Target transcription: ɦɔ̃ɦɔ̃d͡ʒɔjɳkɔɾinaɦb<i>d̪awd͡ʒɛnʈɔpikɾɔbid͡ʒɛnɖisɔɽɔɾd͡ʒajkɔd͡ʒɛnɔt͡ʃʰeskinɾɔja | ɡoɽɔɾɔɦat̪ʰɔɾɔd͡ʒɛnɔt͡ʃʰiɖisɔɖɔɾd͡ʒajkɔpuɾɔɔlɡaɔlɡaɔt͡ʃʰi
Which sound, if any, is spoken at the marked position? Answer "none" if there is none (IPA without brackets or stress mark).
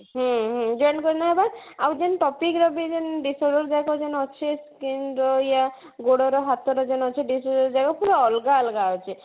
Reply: a